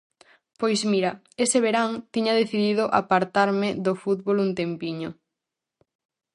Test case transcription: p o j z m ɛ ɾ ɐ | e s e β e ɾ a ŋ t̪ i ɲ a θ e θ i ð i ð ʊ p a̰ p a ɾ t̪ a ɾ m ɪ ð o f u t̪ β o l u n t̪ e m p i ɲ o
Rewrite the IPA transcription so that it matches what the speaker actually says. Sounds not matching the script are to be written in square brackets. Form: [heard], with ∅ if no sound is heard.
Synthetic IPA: p o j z m [i] ɾ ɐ | e s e β e ɾ a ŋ t̪ i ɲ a [ð] e θ i ð i ð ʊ [ʔ] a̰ p a ɾ t̪ a ɾ m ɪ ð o f u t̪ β o l u n t̪ e m p i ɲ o